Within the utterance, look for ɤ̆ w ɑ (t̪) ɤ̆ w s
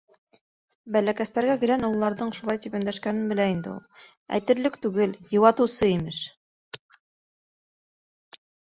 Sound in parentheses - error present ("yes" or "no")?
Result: no